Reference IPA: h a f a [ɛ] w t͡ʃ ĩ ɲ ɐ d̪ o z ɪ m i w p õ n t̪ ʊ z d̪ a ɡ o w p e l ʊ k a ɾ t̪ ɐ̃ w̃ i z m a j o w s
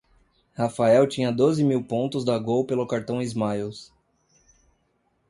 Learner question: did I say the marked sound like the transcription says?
yes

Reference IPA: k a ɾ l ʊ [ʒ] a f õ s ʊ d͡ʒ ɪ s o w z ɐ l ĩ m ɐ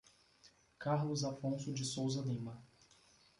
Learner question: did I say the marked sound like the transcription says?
no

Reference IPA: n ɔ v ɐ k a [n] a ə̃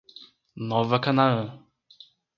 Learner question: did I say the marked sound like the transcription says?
yes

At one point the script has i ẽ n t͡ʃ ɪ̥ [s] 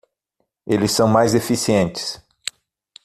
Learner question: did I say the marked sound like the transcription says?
yes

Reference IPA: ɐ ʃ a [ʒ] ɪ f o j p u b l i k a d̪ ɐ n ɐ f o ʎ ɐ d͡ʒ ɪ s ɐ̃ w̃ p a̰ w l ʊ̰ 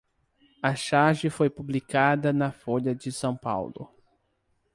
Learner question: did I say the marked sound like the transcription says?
yes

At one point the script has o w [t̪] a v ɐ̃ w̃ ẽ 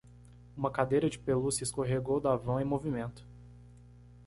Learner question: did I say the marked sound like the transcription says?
no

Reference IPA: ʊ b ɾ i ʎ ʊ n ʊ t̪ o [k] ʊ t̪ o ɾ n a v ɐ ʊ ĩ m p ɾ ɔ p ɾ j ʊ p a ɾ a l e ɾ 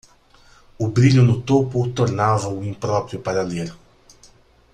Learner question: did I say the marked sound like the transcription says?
no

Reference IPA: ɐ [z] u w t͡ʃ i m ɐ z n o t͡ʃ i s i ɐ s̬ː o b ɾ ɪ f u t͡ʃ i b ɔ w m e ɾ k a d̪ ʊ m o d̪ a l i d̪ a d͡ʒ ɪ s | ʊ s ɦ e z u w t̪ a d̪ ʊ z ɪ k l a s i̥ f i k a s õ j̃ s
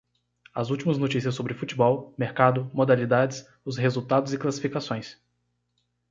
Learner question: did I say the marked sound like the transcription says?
yes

